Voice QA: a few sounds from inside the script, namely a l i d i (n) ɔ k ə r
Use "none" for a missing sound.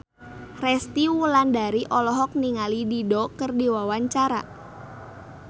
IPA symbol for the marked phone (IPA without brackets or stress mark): d